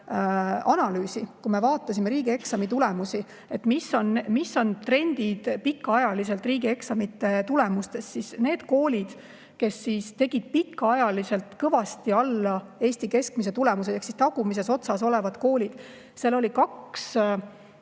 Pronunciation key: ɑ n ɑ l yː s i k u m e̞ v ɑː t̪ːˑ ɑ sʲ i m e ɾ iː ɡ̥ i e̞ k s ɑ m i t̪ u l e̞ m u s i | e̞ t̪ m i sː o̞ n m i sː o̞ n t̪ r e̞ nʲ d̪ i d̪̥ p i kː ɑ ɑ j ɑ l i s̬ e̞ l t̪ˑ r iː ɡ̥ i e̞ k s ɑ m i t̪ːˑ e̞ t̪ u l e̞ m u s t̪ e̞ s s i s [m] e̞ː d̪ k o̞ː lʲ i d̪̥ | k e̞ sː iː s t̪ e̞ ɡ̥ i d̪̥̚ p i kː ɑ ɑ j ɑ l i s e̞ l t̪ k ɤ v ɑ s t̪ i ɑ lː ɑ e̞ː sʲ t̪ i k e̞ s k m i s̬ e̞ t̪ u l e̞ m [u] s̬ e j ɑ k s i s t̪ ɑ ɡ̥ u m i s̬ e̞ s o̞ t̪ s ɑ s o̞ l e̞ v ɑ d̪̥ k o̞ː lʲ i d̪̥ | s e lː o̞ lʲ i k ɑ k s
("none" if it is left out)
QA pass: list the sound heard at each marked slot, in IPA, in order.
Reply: n, u

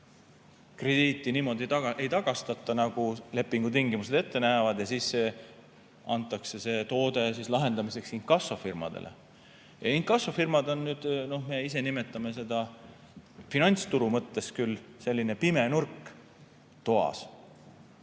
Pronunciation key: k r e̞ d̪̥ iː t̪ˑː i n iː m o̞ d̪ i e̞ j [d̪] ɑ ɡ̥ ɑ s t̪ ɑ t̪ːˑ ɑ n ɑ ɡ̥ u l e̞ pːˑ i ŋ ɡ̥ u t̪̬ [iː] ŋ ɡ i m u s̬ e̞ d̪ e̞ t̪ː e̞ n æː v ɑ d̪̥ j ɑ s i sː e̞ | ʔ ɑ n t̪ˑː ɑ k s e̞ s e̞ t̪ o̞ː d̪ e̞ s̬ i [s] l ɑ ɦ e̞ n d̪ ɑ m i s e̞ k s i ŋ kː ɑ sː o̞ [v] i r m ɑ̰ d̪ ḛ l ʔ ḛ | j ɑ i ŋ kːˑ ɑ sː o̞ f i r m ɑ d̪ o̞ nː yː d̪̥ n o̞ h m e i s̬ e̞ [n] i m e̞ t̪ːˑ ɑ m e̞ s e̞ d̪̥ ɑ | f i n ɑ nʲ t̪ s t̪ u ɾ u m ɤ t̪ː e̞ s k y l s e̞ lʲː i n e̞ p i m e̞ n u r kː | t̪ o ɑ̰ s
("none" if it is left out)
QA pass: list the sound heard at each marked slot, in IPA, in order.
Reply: t̪, i, s, f, n

